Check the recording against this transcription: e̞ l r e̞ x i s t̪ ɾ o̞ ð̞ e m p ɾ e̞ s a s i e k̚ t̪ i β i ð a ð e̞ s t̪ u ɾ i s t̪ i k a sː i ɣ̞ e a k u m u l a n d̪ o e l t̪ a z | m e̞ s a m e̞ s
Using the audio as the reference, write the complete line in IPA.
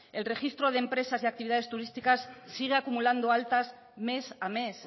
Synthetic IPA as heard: e̞ l r e̞ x i s t̪ ɾ o̞ ð̞ e m p ɾ e̞ s a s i a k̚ t̪ i β i ð a ð e̞ s t̪ u ɾ i s t̪ i k a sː i ɣ̞ e a k u m u l a n d̪ o a l t̪ a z | m e̞ s a m e̞ s